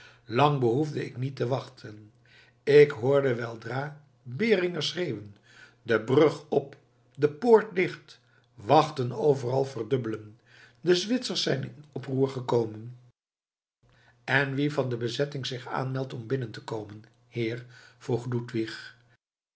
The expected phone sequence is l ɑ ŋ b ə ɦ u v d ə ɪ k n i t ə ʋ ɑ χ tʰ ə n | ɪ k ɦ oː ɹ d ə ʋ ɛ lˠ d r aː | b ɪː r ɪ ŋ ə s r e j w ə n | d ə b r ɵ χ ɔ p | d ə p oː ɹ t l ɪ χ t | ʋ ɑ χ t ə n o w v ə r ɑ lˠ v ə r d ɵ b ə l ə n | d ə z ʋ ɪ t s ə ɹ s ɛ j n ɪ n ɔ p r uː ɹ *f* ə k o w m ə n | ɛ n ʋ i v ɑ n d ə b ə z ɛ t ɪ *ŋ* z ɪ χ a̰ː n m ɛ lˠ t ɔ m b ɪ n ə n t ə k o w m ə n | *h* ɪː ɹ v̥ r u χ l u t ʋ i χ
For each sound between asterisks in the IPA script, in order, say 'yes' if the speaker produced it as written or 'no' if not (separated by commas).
no, yes, yes